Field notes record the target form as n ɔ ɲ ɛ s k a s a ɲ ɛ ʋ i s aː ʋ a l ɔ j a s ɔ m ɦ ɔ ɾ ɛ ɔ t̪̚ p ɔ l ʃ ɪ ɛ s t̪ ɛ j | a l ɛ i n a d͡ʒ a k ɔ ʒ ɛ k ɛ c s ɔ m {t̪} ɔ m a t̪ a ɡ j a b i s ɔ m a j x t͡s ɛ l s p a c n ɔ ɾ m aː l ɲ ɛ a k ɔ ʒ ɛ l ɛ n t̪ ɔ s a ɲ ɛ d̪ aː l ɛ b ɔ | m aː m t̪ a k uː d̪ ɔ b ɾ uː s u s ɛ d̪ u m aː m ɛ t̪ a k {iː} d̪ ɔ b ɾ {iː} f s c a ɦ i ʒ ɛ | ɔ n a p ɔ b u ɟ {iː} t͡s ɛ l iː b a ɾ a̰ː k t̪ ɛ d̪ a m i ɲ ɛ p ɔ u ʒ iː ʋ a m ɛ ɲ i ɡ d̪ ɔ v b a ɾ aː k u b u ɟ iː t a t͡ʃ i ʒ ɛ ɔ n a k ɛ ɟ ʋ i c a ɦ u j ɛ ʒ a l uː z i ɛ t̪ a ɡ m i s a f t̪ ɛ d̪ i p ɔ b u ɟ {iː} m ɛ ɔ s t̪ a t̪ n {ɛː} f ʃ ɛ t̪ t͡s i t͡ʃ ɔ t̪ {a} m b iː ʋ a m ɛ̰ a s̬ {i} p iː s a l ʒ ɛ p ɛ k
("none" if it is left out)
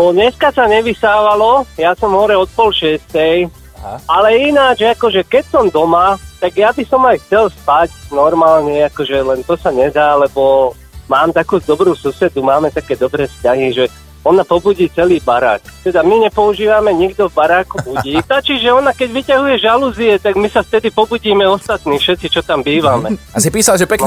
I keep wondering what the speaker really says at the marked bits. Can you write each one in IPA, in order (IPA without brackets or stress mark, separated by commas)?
d̪, ɛː, ɛː, iː, iː, iː, a, i